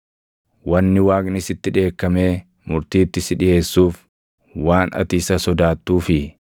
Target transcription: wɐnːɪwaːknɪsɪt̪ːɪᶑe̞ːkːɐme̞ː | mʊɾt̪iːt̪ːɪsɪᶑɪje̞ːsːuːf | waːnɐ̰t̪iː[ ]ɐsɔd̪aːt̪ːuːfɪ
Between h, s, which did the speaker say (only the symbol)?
s